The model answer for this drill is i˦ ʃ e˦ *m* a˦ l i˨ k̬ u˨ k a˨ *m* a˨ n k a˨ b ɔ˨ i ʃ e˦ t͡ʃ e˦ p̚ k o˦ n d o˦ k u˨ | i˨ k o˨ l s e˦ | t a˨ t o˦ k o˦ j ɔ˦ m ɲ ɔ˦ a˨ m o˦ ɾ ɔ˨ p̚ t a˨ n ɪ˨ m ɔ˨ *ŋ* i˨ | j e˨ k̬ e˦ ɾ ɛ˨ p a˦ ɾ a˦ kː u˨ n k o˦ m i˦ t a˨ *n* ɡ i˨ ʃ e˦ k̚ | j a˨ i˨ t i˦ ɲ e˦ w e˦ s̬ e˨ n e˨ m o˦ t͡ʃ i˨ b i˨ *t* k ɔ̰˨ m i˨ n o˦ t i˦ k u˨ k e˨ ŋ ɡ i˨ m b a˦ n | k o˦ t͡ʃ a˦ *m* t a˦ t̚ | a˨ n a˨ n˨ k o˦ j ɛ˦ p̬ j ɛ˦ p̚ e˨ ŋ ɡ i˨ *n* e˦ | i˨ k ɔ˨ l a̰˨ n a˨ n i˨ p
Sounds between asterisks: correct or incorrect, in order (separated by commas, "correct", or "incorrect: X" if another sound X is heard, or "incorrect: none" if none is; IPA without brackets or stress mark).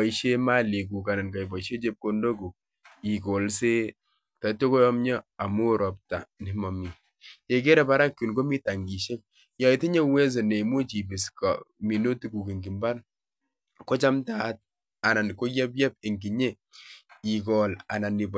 correct, incorrect: n, incorrect: m, incorrect: ŋ, incorrect: s, correct, incorrect: ɲ